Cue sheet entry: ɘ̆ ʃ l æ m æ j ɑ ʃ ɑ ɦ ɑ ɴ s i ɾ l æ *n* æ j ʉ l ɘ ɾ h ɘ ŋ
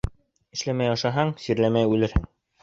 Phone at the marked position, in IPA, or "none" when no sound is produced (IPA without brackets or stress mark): m